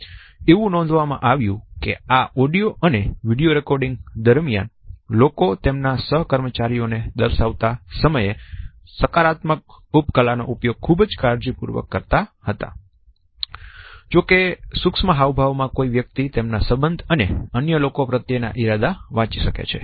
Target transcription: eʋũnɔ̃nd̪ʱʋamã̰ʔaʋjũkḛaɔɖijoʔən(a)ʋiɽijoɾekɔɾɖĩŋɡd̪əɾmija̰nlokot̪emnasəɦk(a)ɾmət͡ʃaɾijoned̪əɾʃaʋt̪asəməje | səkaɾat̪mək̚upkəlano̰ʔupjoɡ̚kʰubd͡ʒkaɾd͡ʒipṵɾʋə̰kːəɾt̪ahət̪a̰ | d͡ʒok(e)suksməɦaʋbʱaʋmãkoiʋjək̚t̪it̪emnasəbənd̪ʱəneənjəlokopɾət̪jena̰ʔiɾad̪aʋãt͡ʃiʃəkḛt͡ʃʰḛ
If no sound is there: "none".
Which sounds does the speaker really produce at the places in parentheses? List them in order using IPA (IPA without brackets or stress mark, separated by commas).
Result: e, ə, e